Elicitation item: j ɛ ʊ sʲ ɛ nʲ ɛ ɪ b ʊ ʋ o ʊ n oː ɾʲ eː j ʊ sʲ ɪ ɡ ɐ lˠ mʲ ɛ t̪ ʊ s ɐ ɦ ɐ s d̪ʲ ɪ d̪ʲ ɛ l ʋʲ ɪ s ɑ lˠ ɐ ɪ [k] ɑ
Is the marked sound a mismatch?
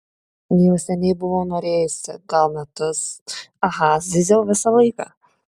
no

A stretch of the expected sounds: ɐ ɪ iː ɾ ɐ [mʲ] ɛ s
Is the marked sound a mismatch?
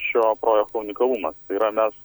no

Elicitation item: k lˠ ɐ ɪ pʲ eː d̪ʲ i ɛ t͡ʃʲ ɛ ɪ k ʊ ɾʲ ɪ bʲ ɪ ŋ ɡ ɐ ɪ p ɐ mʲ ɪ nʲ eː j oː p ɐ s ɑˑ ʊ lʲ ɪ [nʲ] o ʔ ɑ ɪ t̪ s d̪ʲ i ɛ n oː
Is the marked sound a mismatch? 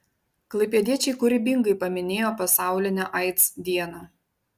no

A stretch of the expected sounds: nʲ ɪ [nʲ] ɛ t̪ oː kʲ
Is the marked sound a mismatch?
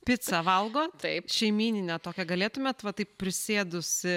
no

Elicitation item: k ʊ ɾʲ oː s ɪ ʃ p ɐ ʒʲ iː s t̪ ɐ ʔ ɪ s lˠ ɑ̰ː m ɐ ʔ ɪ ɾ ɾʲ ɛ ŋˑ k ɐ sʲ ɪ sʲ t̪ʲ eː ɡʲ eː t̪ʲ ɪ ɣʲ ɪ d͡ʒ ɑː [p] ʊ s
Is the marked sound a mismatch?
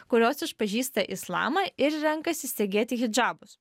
yes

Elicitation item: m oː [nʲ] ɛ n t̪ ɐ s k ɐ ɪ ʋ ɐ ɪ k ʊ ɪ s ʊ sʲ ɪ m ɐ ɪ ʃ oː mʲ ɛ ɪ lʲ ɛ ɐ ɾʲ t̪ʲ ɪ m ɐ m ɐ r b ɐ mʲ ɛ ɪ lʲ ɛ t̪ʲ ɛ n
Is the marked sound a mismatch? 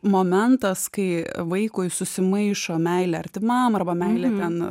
yes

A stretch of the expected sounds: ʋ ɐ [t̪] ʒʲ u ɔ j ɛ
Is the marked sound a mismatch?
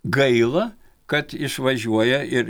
yes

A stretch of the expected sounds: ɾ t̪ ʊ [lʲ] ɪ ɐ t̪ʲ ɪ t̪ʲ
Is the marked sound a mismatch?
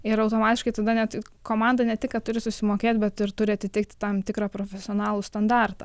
yes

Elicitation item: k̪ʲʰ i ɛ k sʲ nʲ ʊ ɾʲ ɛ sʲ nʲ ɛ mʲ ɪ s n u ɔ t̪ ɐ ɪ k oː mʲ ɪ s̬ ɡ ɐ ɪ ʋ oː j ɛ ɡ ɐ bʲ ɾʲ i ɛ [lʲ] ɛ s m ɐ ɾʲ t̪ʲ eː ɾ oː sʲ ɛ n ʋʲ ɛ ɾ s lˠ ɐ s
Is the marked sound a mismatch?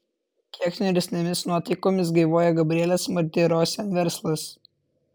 no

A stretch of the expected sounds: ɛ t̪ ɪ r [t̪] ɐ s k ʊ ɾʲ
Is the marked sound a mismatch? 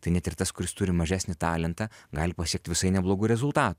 no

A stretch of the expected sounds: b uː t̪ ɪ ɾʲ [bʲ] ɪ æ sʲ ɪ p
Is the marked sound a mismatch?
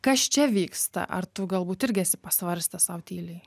yes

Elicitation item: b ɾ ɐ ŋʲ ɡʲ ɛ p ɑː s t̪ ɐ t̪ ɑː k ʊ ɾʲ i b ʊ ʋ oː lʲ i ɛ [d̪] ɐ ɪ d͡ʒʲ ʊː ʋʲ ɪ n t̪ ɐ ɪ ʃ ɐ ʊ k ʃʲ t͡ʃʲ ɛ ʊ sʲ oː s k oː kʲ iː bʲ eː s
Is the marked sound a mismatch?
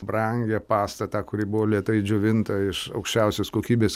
yes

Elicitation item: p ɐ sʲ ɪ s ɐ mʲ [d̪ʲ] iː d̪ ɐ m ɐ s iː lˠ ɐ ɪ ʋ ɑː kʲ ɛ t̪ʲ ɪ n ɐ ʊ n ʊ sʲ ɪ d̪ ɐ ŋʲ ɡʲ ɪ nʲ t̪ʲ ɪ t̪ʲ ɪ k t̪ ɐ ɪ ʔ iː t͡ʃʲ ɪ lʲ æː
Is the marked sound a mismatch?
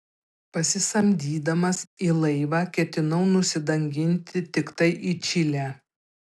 no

